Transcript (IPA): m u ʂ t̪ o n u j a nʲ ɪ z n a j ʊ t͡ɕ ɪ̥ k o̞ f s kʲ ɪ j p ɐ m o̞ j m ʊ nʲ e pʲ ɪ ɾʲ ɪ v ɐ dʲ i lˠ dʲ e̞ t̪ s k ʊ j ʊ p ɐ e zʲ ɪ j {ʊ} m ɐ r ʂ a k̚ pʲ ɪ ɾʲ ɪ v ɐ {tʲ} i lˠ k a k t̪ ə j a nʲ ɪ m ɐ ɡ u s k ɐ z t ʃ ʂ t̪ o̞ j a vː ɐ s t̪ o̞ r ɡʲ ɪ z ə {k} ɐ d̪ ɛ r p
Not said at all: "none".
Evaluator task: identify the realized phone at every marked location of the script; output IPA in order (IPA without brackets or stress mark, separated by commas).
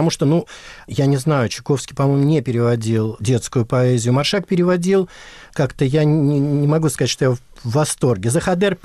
ʊ, dʲ, x